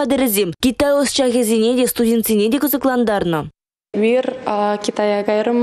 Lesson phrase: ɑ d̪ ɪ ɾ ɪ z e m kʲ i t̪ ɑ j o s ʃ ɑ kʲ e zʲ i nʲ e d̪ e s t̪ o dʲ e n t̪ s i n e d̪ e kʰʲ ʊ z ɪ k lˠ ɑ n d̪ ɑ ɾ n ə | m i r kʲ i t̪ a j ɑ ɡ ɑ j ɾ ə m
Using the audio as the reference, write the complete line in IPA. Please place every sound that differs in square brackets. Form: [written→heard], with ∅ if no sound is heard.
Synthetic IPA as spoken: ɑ d̪ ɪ ɾ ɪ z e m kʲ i t̪ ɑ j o s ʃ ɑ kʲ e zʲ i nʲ e d̪ e s t̪ [o→u] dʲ e n t̪ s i n e d̪ e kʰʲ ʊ z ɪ k lˠ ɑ n d̪ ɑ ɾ n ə | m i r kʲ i t̪ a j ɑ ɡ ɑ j ɾ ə m